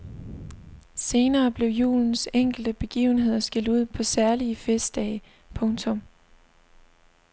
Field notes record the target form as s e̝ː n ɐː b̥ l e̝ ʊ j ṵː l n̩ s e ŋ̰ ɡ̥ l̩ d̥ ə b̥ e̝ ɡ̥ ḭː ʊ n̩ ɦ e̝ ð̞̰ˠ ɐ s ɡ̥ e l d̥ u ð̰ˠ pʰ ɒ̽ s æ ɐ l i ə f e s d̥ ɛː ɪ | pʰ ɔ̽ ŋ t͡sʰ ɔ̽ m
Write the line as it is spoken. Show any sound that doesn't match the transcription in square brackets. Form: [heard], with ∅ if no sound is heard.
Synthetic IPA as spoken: s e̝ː n ɐː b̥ l e̝ ʊ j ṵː l n̩ s e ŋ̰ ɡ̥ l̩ d̥ ə b̥ e̝ ɡ̥ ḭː ʊ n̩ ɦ e̝ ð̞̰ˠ ɐ s ɡ̥ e l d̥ u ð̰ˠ pʰ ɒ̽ s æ ɐ l i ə f e s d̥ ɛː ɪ | pʰ ɔ̽ ŋ t͡sʰ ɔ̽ m